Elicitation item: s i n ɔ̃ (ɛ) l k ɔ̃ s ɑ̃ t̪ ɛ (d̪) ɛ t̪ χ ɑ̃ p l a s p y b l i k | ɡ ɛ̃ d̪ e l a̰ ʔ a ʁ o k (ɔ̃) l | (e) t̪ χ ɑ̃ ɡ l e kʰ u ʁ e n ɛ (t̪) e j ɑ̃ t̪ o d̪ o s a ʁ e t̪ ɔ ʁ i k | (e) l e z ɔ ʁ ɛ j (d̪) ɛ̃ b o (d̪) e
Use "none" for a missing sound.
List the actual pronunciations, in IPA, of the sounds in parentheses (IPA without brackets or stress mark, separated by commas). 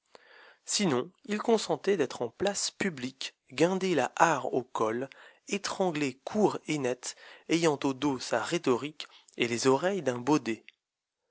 i, d̪, ɔ, e, t̪, e, d̪, d̪